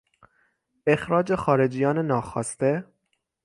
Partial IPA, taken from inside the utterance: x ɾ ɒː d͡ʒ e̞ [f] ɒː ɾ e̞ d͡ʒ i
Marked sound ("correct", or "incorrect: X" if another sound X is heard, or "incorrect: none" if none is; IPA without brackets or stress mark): incorrect: x